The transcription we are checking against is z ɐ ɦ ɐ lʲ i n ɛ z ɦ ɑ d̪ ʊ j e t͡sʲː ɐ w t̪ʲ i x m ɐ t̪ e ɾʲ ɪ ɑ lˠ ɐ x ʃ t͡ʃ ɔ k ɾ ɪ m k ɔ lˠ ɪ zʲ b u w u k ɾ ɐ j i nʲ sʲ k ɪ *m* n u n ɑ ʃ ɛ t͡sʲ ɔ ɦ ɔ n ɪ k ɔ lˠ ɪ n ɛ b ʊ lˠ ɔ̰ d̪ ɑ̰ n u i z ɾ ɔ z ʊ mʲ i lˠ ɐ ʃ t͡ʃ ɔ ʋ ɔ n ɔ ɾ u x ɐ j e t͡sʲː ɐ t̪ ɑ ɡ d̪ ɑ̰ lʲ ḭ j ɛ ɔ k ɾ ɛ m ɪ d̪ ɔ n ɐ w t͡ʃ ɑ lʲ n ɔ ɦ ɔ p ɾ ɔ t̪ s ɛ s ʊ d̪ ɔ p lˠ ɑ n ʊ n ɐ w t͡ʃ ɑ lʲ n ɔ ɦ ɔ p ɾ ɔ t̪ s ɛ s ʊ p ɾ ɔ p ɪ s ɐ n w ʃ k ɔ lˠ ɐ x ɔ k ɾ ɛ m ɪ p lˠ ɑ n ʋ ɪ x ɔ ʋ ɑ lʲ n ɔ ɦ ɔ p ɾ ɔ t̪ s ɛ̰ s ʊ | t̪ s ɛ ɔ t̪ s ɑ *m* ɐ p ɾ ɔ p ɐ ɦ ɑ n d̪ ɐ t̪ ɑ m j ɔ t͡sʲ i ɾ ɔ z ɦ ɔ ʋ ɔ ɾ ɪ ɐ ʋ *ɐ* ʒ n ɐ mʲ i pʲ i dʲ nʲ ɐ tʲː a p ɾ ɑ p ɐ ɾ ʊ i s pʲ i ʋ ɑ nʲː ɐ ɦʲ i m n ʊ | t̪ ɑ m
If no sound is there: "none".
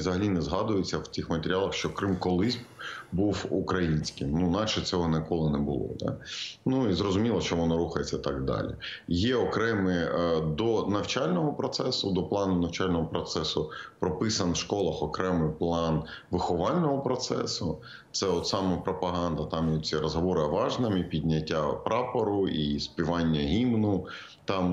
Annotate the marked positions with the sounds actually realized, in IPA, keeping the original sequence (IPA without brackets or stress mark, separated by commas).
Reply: m, m, ɑ